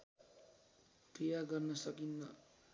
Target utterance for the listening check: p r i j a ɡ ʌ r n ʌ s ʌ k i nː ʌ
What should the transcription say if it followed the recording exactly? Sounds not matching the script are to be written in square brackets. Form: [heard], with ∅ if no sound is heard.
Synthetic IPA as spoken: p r i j a ɡ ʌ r n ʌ s ʌ k i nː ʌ